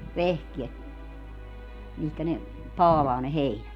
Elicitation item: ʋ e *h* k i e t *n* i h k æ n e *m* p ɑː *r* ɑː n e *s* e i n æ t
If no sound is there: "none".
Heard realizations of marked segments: h, m, none, l, h

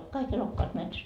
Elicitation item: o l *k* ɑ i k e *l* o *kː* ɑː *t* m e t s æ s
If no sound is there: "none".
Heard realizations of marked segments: k, l, kː, t

